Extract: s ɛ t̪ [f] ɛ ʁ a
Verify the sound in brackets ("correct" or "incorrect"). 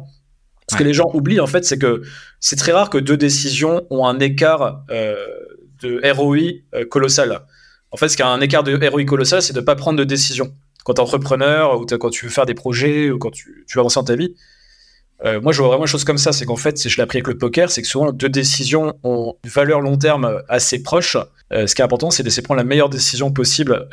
incorrect